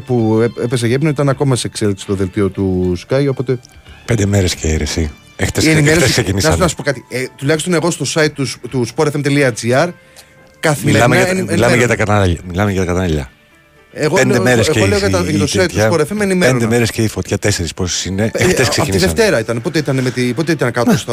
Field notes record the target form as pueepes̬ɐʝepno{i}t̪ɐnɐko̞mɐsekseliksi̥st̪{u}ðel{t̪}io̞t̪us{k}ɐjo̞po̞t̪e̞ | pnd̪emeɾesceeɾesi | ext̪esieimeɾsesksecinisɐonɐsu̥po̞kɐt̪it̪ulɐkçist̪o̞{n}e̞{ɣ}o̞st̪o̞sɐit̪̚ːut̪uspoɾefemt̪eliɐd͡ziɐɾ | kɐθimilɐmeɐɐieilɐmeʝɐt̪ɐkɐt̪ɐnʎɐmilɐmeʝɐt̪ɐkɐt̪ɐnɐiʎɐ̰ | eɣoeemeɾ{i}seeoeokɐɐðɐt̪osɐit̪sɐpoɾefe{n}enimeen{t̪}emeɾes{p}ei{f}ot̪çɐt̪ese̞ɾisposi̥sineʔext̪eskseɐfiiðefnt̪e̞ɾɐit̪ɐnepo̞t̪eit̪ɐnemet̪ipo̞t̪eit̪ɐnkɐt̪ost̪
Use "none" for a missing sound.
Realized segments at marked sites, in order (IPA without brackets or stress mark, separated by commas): i, o, t̪, k, n, ɣ, e, m, d̪, c, f